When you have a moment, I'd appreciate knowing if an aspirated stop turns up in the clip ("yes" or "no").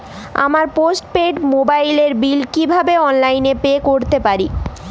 no